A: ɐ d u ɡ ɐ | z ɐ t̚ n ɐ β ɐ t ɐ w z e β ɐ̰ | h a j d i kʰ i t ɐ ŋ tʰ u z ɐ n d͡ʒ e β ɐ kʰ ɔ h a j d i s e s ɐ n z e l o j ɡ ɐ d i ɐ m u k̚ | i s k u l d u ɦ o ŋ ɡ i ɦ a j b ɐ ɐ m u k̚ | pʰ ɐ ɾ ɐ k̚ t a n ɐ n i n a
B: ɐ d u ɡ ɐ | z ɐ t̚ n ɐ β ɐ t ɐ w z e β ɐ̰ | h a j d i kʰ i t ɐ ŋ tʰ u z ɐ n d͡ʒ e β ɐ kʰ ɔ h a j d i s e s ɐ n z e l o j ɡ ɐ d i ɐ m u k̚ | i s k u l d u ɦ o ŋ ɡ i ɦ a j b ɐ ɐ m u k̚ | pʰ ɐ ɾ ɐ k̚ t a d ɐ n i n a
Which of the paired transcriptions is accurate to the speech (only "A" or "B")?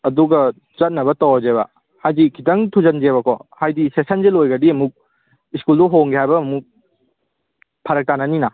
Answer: A